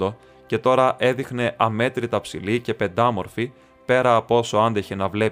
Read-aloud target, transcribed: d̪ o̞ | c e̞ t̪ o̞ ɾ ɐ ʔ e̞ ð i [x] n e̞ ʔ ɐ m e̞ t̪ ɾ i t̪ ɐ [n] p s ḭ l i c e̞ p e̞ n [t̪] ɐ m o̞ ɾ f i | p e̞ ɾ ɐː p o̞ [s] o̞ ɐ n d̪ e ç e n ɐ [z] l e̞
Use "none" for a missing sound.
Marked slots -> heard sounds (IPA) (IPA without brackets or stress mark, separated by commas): x, none, d̪, s, v